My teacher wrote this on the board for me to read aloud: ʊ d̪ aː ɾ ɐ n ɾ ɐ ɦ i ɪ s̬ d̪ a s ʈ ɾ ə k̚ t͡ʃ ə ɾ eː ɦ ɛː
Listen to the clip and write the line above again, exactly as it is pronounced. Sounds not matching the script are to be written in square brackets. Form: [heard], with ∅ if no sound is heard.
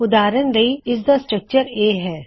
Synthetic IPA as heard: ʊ d̪ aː ɾ [ə] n ɾ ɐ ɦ i ɪ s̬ d̪ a s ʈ ɾ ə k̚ t͡ʃ ə ɾ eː ɦ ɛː